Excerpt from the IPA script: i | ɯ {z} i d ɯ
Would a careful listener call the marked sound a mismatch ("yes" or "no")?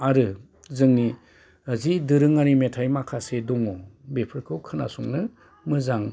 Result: no